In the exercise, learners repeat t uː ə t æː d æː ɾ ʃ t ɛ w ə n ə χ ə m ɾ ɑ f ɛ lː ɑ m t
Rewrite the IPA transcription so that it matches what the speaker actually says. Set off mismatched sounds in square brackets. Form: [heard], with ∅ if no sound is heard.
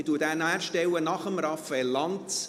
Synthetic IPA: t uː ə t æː [n] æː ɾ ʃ t ɛ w ə n [ɑ] χ ə m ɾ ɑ f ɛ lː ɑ [n] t